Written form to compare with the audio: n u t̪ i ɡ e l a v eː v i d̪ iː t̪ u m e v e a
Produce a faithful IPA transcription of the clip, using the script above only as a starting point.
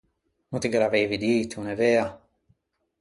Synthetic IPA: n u t̪ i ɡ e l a v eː v i d̪ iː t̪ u n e v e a